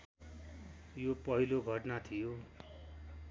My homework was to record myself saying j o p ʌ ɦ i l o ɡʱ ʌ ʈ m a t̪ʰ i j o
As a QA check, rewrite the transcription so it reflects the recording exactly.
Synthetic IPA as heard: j o p ʌ ɦ i l o ɡʱ ʌ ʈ n a t̪ʰ i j o